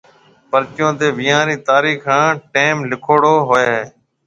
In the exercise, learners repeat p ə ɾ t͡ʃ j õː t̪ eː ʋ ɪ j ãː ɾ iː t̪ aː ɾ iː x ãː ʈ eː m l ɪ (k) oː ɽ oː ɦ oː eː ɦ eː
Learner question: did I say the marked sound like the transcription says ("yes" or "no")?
no